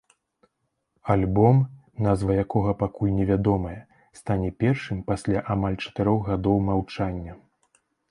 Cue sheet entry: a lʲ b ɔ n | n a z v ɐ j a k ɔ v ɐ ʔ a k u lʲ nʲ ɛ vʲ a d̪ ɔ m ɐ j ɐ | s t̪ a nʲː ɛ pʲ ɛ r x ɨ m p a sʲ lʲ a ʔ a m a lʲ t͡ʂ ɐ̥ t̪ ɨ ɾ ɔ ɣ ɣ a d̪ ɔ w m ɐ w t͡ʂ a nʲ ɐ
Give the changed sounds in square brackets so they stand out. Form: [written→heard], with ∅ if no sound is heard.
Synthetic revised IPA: a lʲ b ɔ [n→m] | n a z v ɐ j a k ɔ [v→ɣ] ɐ [ʔ→p] a k u lʲ nʲ ɛ vʲ a d̪ ɔ m ɐ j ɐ | s t̪ a [nʲː→nʲ] ɛ pʲ ɛ r [x→ʂ] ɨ m p a sʲ lʲ a ʔ a m a lʲ t͡ʂ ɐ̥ t̪ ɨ ɾ ɔ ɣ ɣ a d̪ ɔ w m [ɐ→a] w t͡ʂ a [nʲ→nʲː] ɐ

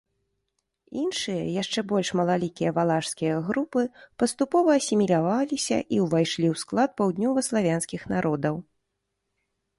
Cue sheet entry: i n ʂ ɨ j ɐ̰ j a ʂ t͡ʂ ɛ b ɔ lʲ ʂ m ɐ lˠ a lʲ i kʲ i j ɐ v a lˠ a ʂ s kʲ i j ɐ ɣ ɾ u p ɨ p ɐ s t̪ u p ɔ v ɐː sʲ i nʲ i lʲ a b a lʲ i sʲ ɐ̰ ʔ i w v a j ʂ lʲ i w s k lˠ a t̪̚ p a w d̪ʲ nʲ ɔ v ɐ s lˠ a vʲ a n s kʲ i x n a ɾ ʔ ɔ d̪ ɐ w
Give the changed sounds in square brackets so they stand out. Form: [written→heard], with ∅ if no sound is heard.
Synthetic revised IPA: i n ʂ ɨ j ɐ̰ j a ʂ t͡ʂ ɛ b ɔ lʲ ʂ m ɐ lˠ a lʲ i kʲ i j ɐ v a lˠ a ʂ s kʲ i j ɐ ɣ ɾ u p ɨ p ɐ s t̪ u p ɔ v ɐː sʲ i [nʲ→mʲ] i lʲ a [b→v] a lʲ i sʲ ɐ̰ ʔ i w v a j ʂ lʲ i w s k lˠ a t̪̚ p a w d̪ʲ nʲ ɔ v ɐ s lˠ a vʲ a n s kʲ i x n a ɾ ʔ ɔ d̪ ɐ w

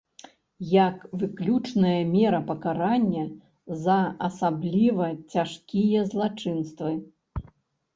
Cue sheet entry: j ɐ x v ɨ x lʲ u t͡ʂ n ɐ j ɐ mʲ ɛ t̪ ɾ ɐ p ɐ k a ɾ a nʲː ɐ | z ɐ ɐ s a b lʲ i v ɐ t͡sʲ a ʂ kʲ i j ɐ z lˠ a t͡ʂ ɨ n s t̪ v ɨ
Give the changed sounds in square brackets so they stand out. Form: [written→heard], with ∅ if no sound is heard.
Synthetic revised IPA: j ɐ [x→k] v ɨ [x→k] lʲ u t͡ʂ n ɐ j ɐ mʲ ɛ [t̪→∅] ɾ ɐ p ɐ k a ɾ a nʲː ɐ | z ɐ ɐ s a b lʲ i v ɐ t͡sʲ a ʂ kʲ i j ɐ z lˠ a t͡ʂ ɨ n s t̪ v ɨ

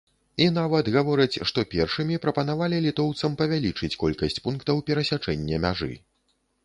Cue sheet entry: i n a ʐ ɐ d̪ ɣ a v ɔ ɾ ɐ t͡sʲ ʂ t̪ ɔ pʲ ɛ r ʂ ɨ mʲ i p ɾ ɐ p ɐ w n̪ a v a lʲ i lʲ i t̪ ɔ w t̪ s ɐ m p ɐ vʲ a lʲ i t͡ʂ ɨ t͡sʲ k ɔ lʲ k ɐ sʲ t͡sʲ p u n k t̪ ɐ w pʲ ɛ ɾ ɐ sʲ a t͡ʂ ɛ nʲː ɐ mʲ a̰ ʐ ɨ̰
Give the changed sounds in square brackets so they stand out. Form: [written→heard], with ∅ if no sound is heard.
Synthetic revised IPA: i n a [ʐ→v] ɐ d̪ ɣ a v ɔ ɾ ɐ t͡sʲ ʂ t̪ ɔ pʲ ɛ r ʂ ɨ mʲ i p ɾ ɐ p ɐ [w→∅] n̪ a v a lʲ i lʲ i t̪ ɔ w t̪ s ɐ m p ɐ vʲ a lʲ i t͡ʂ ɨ t͡sʲ k ɔ lʲ k ɐ sʲ t͡sʲ p u n k t̪ ɐ w pʲ ɛ ɾ ɐ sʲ a t͡ʂ ɛ nʲː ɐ mʲ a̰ ʐ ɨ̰

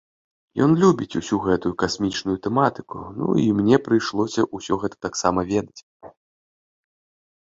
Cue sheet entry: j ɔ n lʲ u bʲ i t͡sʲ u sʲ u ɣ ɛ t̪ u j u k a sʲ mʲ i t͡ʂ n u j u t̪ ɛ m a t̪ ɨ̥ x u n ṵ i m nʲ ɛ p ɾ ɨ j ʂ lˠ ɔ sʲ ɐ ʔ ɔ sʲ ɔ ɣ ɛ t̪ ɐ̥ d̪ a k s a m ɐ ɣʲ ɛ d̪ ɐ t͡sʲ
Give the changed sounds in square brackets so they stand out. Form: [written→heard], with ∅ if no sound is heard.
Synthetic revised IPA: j ɔ n lʲ u bʲ i t͡sʲ u sʲ u ɣ ɛ t̪ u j u k a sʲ mʲ i t͡ʂ n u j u t̪ ɛ m a t̪ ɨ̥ [x→k] u n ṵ i m nʲ ɛ p ɾ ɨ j ʂ lˠ ɔ sʲ ɐ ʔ [ɔ→u] sʲ ɔ ɣ ɛ t̪ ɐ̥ [d̪→t̪] a k s a m ɐ [ɣʲ→vʲ] ɛ d̪ ɐ t͡sʲ

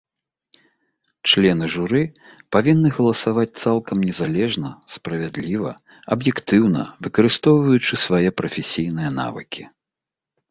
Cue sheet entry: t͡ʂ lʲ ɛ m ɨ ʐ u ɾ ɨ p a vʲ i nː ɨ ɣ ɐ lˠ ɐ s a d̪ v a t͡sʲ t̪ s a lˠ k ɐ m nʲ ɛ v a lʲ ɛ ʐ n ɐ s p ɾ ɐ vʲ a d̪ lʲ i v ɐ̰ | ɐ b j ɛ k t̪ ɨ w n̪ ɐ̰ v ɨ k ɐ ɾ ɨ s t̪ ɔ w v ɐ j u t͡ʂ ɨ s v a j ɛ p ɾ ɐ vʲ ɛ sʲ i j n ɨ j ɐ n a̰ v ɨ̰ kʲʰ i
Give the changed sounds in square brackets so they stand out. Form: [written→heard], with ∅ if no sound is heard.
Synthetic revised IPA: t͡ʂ lʲ ɛ [m→n] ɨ ʐ u ɾ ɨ p a vʲ i nː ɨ ɣ ɐ lˠ ɐ s a [d̪→∅] v a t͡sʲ t̪ s a lˠ k ɐ m nʲ ɛ [v→z] a lʲ ɛ ʐ n ɐ s p ɾ ɐ vʲ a d̪ lʲ i v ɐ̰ | ɐ b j ɛ k t̪ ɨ w n̪ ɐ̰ v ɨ k ɐ ɾ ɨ s t̪ ɔ w v ɐ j u t͡ʂ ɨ s v a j ɛ p ɾ ɐ [vʲ→fʲ] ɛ sʲ i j n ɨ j ɐ n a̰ v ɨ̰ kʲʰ i

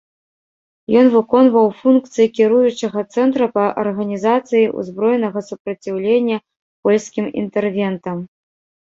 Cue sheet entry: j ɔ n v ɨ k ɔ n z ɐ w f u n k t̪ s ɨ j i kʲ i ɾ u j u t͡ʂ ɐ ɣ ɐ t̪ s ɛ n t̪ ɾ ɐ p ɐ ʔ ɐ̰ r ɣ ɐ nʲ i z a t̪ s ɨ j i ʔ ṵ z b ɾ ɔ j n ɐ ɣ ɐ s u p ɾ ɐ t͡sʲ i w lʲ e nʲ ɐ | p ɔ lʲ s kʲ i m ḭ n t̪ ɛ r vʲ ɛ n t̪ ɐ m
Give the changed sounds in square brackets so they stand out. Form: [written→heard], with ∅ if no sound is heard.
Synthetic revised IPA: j ɔ n v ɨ k ɔ n [z→v] ɐ w f u n k t̪ s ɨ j i kʲ i ɾ u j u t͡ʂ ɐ ɣ ɐ t̪ s ɛ n t̪ ɾ ɐ p ɐ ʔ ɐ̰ r ɣ ɐ nʲ i z a t̪ s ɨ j i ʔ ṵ z b ɾ ɔ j n ɐ ɣ ɐ s u p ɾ ɐ t͡sʲ i w lʲ e [nʲ→nʲː] ɐ | p ɔ lʲ s kʲ i m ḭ n t̪ ɛ r vʲ ɛ n t̪ ɐ m

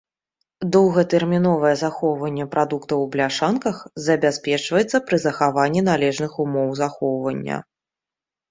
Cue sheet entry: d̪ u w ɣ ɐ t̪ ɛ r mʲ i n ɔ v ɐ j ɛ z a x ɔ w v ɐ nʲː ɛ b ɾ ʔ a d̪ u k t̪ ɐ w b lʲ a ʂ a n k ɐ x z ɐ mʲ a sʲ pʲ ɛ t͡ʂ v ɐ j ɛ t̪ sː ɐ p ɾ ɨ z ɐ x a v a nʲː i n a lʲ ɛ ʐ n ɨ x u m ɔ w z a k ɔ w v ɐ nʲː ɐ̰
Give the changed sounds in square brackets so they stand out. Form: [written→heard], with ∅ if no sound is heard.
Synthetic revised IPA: d̪ [u→ɔ] w ɣ ɐ t̪ ɛ r mʲ i n ɔ v ɐ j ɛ z a x ɔ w v ɐ nʲː ɛ [b→p] ɾ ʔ a d̪ u k t̪ ɐ w b lʲ a ʂ a n k ɐ x z ɐ [mʲ→bʲ] a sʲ pʲ ɛ t͡ʂ v ɐ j ɛ t̪ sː ɐ p ɾ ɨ z ɐ x a v a nʲː i n a lʲ ɛ ʐ n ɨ x u m ɔ w z a [k→x] ɔ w v ɐ nʲː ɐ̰

